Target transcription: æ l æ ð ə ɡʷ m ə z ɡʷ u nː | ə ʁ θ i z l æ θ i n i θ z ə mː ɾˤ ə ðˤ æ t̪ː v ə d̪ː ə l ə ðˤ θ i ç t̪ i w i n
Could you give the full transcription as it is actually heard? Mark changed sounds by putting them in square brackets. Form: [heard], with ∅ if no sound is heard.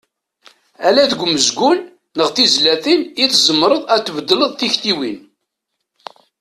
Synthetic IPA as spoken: æ l æ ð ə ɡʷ m ə z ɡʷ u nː | ə ʁ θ i z l æ θ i n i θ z ə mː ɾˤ ə ðˤ æ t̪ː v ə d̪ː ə l ə ðˤ θ i ç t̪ i w i n